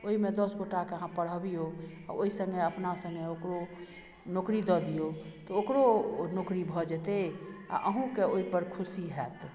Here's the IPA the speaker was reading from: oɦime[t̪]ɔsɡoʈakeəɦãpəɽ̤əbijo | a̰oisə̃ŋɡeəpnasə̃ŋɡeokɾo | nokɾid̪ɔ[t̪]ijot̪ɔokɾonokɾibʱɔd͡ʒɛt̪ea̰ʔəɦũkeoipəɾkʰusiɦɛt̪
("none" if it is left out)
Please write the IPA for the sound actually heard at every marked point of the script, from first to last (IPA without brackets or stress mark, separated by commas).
d̪, d̪